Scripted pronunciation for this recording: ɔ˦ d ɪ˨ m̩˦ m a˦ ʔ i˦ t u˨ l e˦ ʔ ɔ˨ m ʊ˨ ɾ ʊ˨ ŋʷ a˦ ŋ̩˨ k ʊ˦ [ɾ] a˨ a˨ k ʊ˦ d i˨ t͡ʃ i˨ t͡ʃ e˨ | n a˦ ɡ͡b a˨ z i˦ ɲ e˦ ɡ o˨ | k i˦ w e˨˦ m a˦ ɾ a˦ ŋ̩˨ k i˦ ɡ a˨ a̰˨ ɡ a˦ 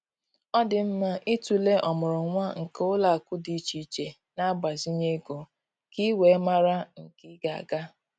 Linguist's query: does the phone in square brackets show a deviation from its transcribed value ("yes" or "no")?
yes